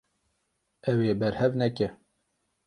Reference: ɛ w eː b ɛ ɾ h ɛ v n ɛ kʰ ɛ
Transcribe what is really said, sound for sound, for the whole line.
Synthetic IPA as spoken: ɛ w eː b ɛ ɾ h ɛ v n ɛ k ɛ